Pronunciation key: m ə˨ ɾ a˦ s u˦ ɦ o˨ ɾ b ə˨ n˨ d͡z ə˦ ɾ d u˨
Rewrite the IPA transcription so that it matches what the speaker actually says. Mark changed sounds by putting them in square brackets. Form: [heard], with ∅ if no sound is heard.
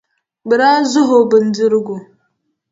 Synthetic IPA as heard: [b] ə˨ ɾ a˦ [z] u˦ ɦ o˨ [∅] b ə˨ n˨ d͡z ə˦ ɾ [ɡ] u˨